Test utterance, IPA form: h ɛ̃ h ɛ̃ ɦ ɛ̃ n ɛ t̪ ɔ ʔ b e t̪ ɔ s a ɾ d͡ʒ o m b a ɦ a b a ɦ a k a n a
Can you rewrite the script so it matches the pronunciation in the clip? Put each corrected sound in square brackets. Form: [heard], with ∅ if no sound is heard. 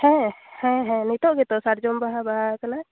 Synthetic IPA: h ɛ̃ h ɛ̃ ɦ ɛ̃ n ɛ t̪ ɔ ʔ [ɡ] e t̪ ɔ s a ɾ d͡ʒ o m b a ɦ a b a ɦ a k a n a